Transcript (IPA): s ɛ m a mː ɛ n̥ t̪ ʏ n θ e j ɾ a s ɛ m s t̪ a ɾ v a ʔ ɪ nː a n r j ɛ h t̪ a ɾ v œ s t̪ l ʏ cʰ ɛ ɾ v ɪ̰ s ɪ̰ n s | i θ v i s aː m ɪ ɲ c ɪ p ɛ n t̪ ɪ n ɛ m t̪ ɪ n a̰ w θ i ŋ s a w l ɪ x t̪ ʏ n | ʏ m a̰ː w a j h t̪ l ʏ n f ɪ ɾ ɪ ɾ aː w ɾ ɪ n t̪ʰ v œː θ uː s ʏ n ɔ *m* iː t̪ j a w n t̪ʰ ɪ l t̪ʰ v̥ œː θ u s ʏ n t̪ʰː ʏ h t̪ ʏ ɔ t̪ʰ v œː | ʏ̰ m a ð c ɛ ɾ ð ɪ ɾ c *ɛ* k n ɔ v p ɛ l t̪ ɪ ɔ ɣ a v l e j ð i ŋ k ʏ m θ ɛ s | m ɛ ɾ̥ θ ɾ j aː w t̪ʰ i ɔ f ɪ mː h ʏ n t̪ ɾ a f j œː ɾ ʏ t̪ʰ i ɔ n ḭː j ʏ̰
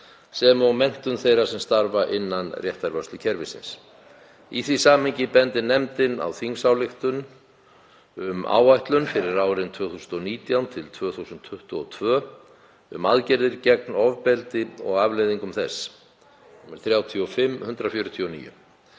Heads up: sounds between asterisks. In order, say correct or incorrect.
incorrect: n, correct

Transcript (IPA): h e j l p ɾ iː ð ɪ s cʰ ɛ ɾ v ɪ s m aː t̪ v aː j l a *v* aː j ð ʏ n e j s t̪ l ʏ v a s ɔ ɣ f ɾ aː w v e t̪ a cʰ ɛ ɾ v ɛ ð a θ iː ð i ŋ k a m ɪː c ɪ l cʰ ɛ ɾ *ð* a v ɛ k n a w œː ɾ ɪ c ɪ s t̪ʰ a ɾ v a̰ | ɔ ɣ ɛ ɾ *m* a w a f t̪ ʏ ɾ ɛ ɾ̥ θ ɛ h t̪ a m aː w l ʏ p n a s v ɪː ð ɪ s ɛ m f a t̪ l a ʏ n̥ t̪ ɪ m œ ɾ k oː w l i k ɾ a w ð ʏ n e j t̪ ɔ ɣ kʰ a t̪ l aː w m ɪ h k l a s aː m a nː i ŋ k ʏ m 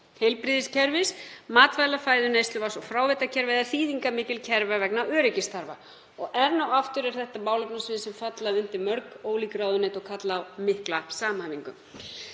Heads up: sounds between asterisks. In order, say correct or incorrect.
incorrect: f, incorrect: v, incorrect: n

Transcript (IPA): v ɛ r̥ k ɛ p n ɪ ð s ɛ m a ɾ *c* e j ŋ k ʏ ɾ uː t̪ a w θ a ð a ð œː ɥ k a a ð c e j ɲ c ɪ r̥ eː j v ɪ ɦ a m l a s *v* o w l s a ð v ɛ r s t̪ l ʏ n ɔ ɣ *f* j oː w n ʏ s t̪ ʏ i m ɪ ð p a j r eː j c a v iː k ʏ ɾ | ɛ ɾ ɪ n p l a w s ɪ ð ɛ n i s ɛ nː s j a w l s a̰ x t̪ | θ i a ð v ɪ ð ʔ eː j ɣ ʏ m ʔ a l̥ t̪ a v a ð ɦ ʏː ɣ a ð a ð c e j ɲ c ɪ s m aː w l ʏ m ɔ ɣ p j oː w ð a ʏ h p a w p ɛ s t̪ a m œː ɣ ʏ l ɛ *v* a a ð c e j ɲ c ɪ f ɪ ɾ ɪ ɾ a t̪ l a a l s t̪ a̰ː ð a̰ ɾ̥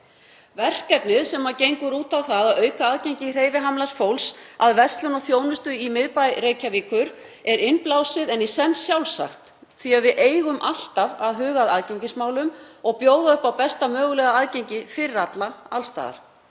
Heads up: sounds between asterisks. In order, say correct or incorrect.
correct, incorrect: f, incorrect: θ, incorrect: ɣ

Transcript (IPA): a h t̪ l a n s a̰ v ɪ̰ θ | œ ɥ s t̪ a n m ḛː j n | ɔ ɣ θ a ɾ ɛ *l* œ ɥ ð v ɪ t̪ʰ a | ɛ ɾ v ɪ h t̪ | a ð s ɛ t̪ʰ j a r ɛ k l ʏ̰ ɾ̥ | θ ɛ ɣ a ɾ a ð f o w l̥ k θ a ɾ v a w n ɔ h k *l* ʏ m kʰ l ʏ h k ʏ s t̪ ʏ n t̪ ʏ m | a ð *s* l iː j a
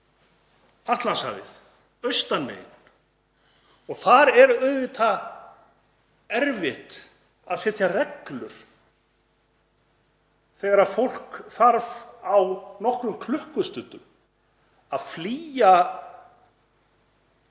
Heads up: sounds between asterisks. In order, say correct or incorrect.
incorrect: ɾ, incorrect: ɾ, incorrect: f

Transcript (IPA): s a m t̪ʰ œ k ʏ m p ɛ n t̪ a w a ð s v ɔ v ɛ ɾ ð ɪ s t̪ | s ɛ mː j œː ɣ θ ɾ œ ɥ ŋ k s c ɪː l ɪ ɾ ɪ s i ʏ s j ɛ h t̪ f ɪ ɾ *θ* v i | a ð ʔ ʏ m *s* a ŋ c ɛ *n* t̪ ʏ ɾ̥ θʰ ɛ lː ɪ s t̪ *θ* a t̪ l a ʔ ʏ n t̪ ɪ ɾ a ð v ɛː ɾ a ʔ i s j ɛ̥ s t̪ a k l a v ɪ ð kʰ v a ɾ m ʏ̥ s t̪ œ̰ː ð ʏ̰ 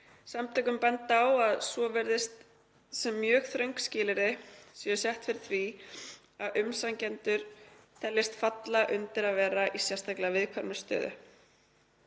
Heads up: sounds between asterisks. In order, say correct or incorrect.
correct, correct, correct, incorrect: f

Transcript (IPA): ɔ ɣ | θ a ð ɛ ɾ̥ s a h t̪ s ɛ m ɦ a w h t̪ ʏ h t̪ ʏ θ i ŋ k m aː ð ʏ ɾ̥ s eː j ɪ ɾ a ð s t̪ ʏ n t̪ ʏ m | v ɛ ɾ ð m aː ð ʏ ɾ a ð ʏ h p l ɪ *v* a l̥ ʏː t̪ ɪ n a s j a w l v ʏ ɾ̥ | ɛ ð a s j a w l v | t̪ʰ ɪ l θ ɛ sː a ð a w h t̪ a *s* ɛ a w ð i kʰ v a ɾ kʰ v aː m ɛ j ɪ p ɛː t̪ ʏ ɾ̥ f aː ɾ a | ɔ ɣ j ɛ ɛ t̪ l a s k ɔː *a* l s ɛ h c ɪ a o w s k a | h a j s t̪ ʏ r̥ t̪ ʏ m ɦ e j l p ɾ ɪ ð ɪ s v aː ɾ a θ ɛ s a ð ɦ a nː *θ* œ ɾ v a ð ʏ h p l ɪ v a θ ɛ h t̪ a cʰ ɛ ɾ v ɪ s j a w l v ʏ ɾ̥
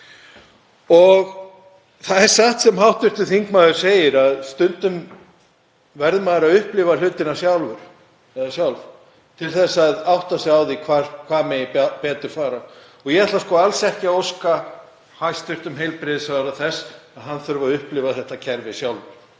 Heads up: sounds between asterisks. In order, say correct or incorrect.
correct, correct, correct, correct

